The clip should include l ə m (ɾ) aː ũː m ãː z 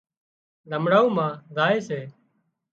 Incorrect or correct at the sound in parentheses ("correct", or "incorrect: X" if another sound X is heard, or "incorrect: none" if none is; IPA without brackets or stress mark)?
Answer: incorrect: ɽ